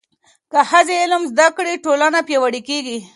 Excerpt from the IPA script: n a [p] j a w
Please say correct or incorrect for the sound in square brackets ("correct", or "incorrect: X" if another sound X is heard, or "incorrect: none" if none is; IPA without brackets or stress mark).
correct